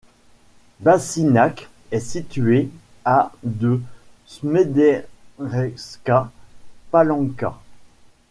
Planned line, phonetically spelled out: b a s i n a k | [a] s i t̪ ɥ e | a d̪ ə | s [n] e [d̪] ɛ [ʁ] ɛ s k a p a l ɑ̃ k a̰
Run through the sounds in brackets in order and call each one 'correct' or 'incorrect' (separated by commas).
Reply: incorrect, incorrect, correct, correct